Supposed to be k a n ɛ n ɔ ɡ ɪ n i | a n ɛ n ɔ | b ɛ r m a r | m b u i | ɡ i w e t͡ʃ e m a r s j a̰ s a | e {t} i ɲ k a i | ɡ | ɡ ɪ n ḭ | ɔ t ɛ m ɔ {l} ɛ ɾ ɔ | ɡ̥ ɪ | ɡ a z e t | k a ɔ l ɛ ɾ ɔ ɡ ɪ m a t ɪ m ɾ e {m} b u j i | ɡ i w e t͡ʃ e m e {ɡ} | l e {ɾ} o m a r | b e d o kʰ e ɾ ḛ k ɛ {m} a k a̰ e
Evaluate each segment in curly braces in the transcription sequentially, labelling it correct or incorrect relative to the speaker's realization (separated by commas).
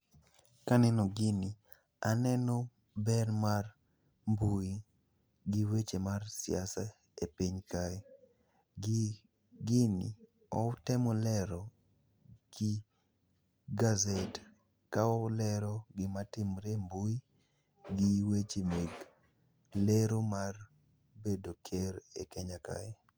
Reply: incorrect, correct, correct, correct, correct, incorrect